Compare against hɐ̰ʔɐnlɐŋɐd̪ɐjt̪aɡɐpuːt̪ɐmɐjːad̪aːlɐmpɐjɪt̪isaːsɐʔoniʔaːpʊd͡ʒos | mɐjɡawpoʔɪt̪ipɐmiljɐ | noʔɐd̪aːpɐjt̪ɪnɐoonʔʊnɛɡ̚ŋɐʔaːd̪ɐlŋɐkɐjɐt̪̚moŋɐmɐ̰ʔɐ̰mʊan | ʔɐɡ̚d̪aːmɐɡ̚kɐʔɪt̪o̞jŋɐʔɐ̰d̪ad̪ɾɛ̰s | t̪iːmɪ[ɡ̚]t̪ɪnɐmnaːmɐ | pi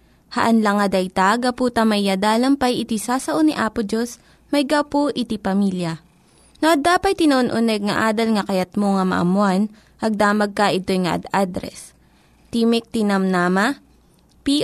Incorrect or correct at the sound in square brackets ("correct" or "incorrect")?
incorrect